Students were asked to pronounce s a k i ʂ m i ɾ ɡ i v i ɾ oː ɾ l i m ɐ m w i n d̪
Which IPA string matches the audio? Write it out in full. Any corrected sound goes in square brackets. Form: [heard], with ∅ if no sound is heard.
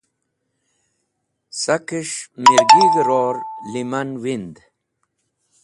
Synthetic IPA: s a k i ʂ m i ɾ ɡ i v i ɾ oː ɾ l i m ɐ [n] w i n d̪